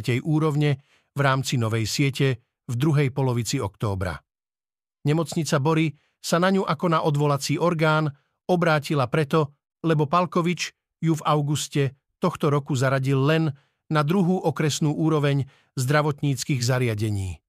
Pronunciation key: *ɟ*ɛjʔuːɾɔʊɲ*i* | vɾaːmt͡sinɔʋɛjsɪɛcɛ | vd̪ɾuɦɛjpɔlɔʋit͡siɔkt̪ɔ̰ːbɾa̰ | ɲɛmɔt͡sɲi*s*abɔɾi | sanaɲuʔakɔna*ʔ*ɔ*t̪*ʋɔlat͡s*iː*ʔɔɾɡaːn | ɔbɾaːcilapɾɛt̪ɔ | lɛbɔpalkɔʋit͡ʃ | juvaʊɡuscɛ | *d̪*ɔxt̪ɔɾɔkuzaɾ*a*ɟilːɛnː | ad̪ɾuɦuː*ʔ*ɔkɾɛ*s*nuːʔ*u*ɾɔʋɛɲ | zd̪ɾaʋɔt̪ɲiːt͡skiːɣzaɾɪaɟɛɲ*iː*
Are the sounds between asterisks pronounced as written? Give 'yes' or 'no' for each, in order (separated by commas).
no, no, no, yes, no, yes, no, yes, yes, yes, no, yes